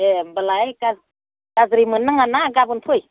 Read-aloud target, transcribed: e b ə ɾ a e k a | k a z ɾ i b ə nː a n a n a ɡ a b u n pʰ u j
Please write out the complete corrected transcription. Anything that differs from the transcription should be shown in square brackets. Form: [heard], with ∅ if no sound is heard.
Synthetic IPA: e b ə [l] a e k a | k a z ɾ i [m] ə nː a [ŋ] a n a ɡ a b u n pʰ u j